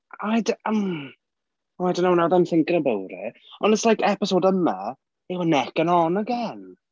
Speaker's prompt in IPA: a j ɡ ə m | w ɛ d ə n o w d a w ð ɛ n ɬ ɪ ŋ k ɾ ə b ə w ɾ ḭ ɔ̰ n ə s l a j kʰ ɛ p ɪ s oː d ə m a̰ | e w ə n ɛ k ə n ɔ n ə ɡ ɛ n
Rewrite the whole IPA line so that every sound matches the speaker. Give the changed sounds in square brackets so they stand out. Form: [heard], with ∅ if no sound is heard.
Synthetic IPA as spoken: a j [d] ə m | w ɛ d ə n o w [n] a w ð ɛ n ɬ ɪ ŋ k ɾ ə b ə w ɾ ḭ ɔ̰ n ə s l a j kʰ ɛ p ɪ s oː d ə m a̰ | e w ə n ɛ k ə n ɔ n ə ɡ ɛ n